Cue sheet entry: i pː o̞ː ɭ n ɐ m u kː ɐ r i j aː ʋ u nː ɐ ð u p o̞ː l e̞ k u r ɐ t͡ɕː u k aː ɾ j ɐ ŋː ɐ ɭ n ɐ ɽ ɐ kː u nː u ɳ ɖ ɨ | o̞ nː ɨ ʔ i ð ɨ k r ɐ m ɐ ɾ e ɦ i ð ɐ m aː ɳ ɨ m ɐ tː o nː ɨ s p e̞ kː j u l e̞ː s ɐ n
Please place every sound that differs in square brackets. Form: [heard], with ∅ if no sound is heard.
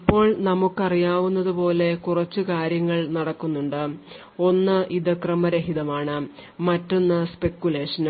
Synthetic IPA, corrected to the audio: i pː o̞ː ɭ n ɐ m u kː ɐ r i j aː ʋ u nː ɐ ð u p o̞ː l e̞ k u r ɐ t͡ɕː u k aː ɾ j ɐ ŋː ɐ ɭ n ɐ ɽ ɐ kː u nː u ɳ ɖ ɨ | o̞ nː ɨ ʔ i ð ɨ k r ɐ m ɐ ɾ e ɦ i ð ɐ m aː ɳ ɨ m ɐ tː o nː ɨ s p e̞ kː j u l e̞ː [ʂ] ɐ n

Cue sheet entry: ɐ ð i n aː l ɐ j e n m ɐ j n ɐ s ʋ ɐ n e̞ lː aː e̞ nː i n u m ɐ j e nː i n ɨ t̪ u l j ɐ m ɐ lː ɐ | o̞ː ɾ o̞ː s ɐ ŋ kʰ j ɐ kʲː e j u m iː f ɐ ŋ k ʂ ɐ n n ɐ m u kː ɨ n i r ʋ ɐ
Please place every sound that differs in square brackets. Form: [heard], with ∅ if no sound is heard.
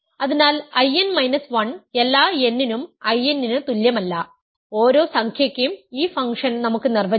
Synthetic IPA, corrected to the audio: ɐ ð i n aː l ɐ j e n m ɐ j n ɐ s ʋ ɐ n e̞ lː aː e̞ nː i n u m ɐ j e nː i n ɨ t̪ u l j ɐ m ɐ lː ɐ | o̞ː ɾ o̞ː s ɐ ŋ kʰ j ɐ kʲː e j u m iː f ɐ ŋ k ʂ ɐ n n ɐ m u kː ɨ n i r ʋ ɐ

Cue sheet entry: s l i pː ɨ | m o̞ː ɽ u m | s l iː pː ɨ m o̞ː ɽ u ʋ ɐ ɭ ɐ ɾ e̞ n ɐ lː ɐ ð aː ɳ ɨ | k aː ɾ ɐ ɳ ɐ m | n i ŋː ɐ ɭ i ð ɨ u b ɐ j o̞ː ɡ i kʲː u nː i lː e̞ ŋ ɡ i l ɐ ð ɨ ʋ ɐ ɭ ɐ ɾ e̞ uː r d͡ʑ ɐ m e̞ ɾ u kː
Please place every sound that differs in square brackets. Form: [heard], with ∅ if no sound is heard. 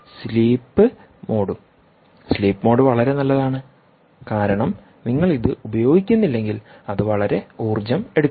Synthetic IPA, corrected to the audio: s l [iː] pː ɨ | m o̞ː ɽ u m | s l iː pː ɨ m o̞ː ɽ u ʋ ɐ ɭ ɐ ɾ e̞ n ɐ lː ɐ ð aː ɳ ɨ | k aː ɾ ɐ ɳ ɐ m | n i ŋː ɐ ɭ i ð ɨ u b ɐ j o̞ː ɡ i kʲː u nː i lː e̞ ŋ ɡ i l ɐ ð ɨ ʋ ɐ ɭ ɐ ɾ e̞ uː r d͡ʑ ɐ m e̞ [ɽ] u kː

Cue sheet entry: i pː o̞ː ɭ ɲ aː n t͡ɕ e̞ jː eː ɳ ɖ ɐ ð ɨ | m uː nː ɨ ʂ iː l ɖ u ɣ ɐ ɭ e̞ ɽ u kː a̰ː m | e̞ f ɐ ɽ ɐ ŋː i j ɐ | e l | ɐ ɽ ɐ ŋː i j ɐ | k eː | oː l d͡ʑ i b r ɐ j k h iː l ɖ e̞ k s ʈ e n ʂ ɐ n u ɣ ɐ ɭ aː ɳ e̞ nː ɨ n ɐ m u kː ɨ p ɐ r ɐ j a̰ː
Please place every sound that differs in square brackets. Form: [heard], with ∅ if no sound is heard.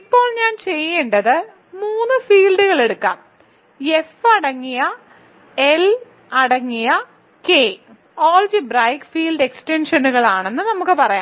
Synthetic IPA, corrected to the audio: i pː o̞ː ɭ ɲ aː n t͡ɕ e̞ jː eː ɳ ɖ ɐ ð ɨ | m uː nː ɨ [f] iː l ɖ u ɣ ɐ ɭ e̞ ɽ u kː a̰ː m | e̞ f ɐ ɽ ɐ ŋː i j ɐ | e l | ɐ ɽ ɐ ŋː i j ɐ | k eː | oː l d͡ʑ i b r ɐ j k [f] iː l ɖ e̞ k s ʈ e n ʂ ɐ n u ɣ ɐ ɭ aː ɳ e̞ nː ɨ n ɐ m u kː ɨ p ɐ r ɐ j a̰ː

